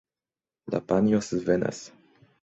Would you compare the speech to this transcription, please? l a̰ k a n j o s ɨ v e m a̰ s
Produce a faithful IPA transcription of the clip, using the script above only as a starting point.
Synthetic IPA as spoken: l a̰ p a n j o s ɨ v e n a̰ s